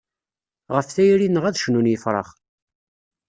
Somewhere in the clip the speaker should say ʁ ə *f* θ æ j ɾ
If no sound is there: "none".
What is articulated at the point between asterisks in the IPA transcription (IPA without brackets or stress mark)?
f